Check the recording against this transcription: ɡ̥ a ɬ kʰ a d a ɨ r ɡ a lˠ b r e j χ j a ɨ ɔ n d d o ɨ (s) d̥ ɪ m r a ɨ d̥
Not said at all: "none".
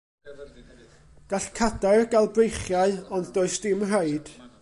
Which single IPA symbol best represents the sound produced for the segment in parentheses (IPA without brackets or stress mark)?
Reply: s